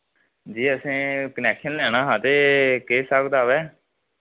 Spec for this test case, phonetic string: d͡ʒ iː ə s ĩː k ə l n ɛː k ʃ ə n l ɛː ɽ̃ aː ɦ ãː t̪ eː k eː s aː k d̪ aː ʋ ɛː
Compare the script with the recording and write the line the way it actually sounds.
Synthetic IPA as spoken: d͡ʒ iː ə s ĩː k ə n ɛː k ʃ ə n l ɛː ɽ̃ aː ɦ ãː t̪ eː k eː s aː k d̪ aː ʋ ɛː